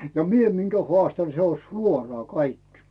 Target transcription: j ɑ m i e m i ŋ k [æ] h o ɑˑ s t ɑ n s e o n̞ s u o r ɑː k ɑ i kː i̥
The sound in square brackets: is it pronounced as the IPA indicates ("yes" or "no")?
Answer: yes